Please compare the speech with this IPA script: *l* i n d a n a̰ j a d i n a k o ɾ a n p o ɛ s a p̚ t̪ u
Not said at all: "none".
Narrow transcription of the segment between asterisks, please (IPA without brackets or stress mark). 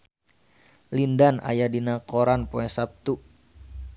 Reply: l